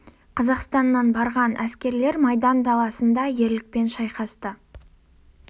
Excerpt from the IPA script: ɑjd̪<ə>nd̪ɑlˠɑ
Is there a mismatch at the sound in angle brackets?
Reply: yes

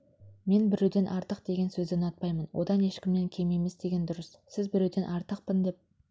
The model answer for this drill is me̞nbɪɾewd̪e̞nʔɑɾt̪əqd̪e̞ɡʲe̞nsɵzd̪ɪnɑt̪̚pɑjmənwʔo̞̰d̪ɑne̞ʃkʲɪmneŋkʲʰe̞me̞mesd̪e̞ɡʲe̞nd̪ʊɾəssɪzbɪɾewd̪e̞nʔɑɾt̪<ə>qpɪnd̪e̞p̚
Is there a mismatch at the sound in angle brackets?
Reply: no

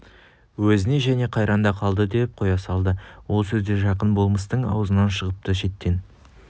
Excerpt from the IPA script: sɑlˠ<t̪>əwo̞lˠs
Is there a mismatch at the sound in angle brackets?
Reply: yes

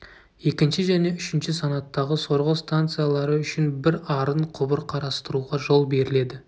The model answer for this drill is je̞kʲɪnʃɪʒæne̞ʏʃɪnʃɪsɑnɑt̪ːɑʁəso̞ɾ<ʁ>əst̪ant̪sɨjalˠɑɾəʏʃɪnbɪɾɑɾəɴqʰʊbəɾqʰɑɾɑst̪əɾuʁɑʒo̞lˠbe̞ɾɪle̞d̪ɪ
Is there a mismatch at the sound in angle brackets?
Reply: no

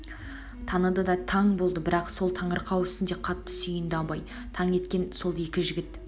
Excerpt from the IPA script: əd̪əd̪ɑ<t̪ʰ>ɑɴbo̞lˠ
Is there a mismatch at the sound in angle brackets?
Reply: no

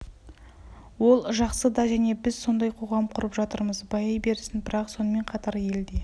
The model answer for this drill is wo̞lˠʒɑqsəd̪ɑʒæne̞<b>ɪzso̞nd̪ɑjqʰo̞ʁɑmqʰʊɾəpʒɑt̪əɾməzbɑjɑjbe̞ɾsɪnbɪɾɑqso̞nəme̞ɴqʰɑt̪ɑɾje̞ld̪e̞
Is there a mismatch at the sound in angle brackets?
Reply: no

